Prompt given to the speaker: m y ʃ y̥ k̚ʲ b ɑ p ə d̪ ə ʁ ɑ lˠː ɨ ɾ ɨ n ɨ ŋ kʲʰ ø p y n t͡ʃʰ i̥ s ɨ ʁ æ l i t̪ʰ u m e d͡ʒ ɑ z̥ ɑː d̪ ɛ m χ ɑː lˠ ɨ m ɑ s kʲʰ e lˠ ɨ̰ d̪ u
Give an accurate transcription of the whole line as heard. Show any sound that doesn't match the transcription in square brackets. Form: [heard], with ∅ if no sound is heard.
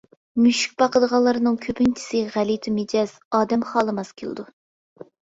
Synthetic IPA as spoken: m y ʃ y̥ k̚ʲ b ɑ [q] ə d̪ ə ʁ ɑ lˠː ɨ ɾ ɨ n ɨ ŋ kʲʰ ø p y n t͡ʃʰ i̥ s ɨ ʁ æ l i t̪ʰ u m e d͡ʒ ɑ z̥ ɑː d̪ ɛ m χ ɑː lˠ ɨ m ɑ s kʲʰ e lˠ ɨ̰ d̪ u